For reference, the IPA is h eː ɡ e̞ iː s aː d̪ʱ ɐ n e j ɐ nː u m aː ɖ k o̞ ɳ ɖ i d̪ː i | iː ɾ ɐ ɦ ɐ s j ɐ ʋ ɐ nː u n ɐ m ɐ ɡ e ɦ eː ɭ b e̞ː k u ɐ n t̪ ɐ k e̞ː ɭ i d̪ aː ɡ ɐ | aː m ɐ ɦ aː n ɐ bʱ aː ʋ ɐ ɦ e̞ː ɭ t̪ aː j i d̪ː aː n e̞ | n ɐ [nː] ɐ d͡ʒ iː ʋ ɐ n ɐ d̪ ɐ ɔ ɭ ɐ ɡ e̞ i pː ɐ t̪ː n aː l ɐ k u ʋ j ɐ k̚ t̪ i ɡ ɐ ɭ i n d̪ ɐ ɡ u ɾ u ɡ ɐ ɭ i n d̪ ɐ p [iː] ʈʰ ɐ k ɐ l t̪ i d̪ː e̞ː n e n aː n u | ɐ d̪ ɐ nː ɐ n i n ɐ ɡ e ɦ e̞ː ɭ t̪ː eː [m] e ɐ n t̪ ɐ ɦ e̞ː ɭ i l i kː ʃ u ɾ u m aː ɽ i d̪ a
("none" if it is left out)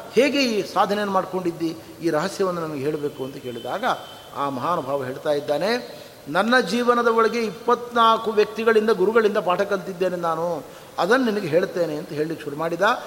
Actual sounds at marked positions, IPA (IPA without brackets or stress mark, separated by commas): nː, aː, n